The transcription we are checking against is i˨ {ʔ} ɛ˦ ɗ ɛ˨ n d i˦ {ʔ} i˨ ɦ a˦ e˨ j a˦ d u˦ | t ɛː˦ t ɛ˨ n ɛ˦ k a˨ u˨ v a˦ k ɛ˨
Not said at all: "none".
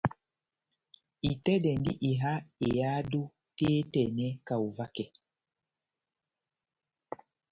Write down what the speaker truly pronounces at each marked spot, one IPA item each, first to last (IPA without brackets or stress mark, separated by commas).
t, ʔ